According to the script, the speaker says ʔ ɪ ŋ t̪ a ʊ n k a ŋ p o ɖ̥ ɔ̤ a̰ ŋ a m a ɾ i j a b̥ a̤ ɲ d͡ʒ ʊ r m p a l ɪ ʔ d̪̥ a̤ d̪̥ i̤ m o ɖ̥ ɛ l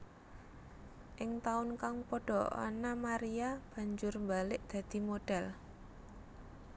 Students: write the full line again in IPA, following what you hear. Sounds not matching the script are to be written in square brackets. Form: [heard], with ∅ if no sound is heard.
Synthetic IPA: ʔ ɪ ŋ t̪ a ʊ n k a ŋ p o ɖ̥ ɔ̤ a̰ [n] a m a ɾ i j a b̥ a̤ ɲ d͡ʒ ʊ r m [b] a l ɪ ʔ d̪̥ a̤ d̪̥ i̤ m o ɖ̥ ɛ l